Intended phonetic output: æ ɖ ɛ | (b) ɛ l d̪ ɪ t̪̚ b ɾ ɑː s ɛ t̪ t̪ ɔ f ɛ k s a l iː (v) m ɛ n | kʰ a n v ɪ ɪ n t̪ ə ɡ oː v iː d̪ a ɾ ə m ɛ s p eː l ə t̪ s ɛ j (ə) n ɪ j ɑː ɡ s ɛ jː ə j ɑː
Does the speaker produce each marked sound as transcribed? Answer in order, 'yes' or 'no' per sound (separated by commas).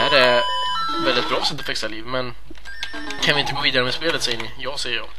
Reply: no, yes, yes